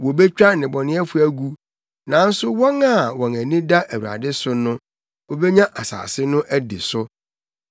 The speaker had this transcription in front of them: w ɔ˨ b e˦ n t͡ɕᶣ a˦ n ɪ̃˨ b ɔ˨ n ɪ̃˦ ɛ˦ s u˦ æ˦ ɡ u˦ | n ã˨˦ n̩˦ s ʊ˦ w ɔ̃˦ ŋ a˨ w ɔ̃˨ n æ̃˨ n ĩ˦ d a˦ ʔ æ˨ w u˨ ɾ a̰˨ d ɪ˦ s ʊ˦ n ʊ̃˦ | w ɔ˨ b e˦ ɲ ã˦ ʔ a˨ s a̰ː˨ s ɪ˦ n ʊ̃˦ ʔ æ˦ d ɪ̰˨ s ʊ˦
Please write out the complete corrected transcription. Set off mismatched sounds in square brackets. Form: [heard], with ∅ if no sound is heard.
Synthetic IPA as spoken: w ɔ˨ b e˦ [∅] t͡ɕᶣ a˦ n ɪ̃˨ b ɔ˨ n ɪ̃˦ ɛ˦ [f] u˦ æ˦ ɡ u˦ | n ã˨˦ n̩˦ s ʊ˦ w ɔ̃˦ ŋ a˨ w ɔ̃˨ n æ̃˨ n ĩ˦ d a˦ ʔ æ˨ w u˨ ɾ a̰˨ d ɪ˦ s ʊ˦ n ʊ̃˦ | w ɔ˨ b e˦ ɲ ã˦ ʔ a˨ s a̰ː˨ s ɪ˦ n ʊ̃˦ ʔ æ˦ d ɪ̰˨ s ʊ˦